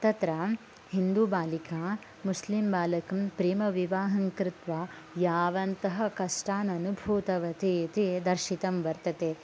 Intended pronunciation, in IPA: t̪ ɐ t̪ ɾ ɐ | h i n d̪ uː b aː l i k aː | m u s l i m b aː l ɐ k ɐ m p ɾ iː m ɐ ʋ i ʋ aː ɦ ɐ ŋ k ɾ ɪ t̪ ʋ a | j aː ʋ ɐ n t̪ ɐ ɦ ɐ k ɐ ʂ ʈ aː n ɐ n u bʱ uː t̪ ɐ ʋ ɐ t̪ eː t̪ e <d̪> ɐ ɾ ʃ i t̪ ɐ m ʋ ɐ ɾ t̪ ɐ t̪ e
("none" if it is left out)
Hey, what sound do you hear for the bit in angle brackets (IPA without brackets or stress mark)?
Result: d̪